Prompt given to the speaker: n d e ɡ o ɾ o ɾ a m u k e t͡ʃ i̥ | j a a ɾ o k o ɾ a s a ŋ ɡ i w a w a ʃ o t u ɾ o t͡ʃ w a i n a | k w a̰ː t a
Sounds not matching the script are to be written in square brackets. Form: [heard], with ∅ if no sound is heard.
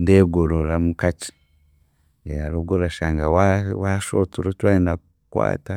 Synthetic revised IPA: n d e ɡ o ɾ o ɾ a m u k [a] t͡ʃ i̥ | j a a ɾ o [ɡ] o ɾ a [ʃ] a ŋ ɡ [a] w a w a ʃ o t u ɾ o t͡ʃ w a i n a | k w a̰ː t a